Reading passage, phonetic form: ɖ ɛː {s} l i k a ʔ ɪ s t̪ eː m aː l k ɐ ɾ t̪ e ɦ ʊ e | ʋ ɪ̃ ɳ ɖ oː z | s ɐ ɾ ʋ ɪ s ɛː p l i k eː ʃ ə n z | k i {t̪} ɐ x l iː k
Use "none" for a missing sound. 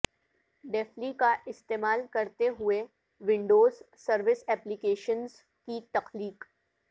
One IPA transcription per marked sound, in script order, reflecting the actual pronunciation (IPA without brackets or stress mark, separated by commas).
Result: f, t̪